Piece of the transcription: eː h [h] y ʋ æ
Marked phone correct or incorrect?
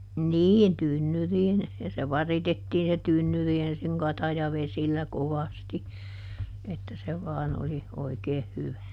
correct